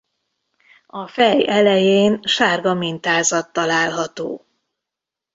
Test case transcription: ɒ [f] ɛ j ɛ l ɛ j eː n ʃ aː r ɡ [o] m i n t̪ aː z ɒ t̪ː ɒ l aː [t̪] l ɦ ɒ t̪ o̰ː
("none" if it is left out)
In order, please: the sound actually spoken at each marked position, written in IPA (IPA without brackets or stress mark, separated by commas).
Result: f, ɒ, none